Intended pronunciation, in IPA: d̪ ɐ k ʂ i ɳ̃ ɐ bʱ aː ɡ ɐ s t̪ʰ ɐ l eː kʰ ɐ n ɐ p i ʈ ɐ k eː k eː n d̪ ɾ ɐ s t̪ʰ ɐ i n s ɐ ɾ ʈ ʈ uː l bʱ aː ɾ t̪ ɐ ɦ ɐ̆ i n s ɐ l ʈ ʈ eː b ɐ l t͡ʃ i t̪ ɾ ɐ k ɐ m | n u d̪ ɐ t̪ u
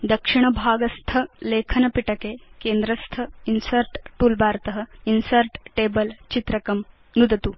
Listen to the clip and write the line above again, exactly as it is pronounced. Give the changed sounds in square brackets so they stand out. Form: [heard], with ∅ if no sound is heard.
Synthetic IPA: d̪ ɐ k ʂ i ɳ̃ ɐ bʱ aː ɡ ɐ s t̪ʰ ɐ l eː kʰ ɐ n ɐ p i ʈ ɐ k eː k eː n d̪ ɾ ɐ s t̪ʰ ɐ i n s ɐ ɾ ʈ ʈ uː l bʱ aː ɾ t̪ ɐ ɦ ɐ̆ i n s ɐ [ɾ] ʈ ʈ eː b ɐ l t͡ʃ i t̪ ɾ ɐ k ɐ m | n u d̪ ɐ t̪ u